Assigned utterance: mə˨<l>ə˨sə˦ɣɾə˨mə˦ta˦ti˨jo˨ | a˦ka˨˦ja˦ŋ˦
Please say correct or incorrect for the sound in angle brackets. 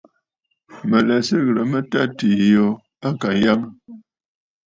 correct